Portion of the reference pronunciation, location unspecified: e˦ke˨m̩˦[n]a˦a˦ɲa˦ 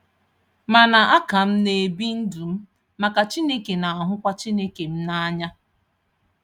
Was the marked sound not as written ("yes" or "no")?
no